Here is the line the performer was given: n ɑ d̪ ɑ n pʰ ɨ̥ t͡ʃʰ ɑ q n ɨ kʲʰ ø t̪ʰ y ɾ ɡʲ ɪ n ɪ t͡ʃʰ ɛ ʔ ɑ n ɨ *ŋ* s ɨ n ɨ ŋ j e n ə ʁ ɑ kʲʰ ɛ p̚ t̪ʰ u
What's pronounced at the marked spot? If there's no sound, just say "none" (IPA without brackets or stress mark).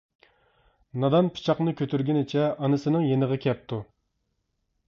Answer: none